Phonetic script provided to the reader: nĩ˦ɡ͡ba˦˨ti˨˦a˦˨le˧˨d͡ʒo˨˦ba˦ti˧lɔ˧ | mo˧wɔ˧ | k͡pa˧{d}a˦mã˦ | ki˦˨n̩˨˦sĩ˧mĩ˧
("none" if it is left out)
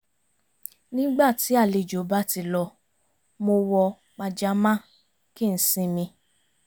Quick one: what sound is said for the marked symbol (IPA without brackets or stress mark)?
d͡ʒ